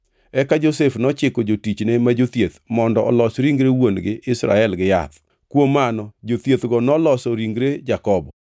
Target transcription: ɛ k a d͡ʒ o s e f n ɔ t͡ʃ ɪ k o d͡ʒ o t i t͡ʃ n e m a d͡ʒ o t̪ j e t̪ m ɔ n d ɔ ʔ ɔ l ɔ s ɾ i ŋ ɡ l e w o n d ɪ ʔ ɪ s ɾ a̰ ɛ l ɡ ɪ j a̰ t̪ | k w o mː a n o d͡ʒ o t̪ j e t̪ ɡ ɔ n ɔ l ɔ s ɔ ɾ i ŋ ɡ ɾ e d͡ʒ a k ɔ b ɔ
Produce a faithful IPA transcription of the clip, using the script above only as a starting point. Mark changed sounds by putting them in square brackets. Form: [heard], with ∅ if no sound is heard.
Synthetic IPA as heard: ɛ k a d͡ʒ o s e f n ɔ t͡ʃ ɪ k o d͡ʒ o t i t͡ʃ n e m a d͡ʒ o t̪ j e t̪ m ɔ n d ɔ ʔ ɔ l ɔ s ɾ i ŋ ɡ [ɾ] e w o n [ɡ] ɪ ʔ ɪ s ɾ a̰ ɛ l ɡ ɪ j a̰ t̪ | k w o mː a n [ɔ] d͡ʒ o t̪ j e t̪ ɡ ɔ n ɔ l ɔ s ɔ ɾ i ŋ ɡ ɾ e d͡ʒ a k ɔ b ɔ